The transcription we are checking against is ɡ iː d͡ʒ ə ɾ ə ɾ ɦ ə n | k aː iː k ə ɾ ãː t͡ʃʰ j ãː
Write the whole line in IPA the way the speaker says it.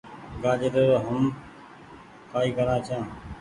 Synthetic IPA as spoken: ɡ aː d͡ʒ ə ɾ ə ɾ ɦ ə m | k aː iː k ə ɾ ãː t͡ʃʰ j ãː